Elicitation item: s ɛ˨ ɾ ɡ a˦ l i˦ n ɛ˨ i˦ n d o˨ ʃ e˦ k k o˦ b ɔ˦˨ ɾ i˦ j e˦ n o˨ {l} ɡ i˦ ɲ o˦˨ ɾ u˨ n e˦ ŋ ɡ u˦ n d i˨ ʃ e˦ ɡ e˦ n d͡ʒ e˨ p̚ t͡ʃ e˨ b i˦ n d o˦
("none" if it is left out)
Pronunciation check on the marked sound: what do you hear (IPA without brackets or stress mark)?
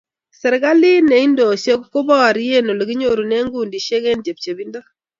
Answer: l